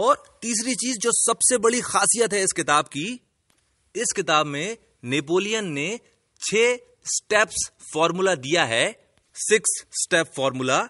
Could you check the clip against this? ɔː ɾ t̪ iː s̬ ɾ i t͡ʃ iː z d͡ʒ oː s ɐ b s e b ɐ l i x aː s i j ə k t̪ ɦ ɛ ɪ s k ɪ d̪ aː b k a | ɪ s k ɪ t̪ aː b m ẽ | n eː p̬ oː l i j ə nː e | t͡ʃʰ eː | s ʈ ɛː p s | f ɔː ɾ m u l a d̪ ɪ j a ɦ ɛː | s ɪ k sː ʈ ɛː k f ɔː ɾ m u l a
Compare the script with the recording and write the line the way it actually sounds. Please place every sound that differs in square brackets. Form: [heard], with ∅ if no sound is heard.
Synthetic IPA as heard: ɔː ɾ t̪ iː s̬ ɾ i t͡ʃ iː z d͡ʒ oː s ɐ b s e b ɐ [ɽ] i x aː s i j ə [∅] t̪ ɦ ɛ ɪ s k ɪ [t̪] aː b k [i] | ɪ s k ɪ t̪ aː b m ẽ | n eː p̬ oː l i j ə nː e | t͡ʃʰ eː | s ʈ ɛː p s | f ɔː ɾ m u l a d̪ [i] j a ɦ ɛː | s ɪ k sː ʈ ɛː [p] f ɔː ɾ m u l a